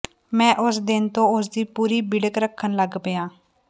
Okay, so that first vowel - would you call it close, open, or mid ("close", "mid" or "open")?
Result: mid